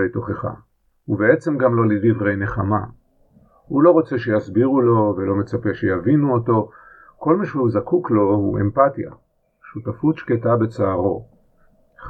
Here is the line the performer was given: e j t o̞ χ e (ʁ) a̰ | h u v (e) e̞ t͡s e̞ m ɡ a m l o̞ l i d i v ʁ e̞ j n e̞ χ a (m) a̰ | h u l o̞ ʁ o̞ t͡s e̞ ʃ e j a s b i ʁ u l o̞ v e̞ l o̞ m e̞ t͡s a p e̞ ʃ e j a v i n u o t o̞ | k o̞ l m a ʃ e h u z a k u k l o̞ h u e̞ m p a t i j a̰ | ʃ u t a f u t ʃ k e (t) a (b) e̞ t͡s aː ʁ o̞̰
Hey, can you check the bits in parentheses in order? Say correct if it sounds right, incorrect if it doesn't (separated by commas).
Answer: incorrect, correct, correct, correct, correct